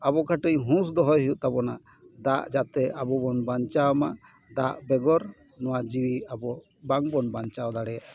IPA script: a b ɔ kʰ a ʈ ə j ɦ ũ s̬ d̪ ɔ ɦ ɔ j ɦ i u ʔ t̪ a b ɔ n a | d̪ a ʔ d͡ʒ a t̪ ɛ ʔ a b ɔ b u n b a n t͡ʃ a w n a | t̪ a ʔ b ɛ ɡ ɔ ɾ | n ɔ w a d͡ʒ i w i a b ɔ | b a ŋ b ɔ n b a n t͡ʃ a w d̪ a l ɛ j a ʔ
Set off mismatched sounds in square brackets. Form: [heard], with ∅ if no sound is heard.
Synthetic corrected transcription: a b ɔ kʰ a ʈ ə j ɦ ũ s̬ d̪ ɔ ɦ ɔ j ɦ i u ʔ t̪ a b ɔ n a | d̪ a ʔ d͡ʒ a t̪ ɛ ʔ a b ɔ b [ɔ] n b a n t͡ʃ a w [m] a | [d̪] a ʔ b ɛ ɡ ɔ ɾ | n ɔ w a d͡ʒ i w i a b ɔ | b a ŋ b ɔ n b a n t͡ʃ a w d̪ a [ɽ] ɛ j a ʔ